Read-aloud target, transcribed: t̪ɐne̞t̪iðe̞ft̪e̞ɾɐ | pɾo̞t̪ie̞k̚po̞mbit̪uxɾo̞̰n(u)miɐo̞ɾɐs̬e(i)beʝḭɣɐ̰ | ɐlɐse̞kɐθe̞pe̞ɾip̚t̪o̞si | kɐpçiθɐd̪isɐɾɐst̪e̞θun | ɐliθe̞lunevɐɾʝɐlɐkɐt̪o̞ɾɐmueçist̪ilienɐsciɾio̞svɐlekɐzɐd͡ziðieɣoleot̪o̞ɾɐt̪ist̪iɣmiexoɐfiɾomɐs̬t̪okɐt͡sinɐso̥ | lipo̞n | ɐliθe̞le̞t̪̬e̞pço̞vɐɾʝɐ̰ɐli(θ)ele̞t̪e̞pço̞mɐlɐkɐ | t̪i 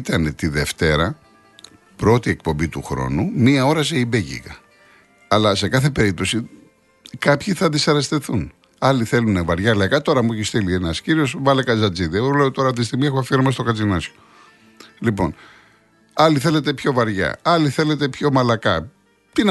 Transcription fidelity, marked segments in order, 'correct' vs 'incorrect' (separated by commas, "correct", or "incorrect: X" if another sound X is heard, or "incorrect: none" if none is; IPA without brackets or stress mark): correct, correct, correct